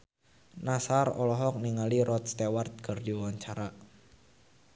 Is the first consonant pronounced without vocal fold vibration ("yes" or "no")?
no